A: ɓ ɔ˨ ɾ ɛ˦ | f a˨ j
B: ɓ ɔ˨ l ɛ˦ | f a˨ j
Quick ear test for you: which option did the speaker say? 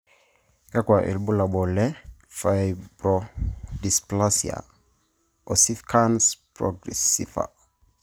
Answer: B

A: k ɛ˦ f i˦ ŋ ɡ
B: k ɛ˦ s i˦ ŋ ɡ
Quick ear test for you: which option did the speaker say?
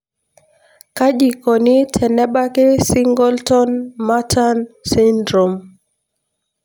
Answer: B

